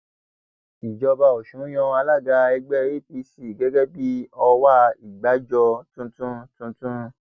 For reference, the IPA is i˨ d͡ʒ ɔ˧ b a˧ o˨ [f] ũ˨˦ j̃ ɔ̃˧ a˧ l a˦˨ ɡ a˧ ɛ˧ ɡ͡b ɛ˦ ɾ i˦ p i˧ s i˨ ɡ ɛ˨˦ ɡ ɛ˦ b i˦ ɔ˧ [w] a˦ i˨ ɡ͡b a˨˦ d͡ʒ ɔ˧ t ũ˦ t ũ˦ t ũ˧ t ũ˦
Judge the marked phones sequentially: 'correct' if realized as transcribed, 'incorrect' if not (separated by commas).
incorrect, correct